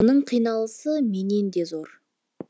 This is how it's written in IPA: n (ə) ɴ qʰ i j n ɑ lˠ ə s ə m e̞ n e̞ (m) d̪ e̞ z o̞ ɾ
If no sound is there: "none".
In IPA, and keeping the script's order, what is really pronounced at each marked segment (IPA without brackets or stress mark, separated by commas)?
ə, n